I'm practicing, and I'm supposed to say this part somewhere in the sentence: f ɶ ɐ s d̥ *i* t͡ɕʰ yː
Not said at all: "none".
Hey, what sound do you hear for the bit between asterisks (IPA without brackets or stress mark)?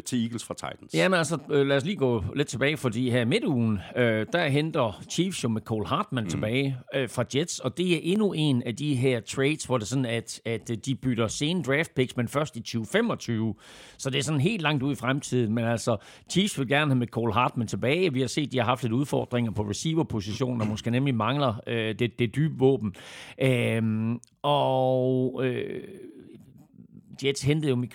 i